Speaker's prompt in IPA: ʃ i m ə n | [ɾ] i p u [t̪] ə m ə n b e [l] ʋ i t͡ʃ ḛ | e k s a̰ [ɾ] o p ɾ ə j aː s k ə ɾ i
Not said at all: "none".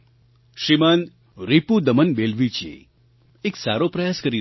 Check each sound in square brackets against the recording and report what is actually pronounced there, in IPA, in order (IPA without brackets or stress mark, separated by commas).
ɾ, d̪, l, ɾ